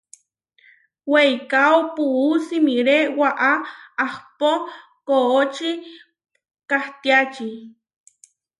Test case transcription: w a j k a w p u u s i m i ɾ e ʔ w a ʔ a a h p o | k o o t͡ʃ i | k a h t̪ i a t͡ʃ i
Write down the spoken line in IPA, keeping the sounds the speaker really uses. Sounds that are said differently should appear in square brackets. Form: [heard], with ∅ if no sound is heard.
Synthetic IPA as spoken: w [e] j k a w p u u s i m i ɾ e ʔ w a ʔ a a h p o | k o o t͡ʃ i | k a h t̪ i a t͡ʃ i